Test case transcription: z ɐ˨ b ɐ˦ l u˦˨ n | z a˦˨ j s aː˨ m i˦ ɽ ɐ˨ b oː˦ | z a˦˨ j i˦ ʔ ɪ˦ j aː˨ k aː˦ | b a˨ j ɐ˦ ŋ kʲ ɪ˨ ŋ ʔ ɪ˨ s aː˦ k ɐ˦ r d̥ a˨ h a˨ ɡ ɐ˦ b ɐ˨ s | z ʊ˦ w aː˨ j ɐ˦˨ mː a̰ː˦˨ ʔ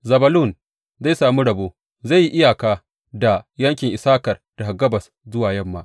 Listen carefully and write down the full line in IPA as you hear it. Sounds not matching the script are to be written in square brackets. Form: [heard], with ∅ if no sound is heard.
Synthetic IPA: z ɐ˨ b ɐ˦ l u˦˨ n | z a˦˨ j s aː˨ m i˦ ɽ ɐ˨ b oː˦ | z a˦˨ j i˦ ʔ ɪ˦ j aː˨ k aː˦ | [d] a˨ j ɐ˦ ŋ kʲ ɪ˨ ŋ ʔ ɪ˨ s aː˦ k [ɐ˨] r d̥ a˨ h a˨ ɡ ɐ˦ b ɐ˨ s | z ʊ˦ w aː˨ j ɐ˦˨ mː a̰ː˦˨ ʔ